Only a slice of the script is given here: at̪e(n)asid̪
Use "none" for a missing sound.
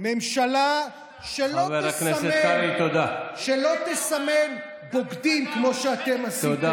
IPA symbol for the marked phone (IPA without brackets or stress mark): m